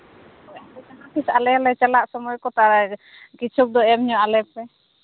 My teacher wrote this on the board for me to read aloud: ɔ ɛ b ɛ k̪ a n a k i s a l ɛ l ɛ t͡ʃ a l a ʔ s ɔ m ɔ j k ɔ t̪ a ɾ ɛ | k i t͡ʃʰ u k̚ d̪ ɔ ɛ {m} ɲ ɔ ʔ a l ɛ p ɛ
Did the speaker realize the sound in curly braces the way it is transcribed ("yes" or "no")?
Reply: yes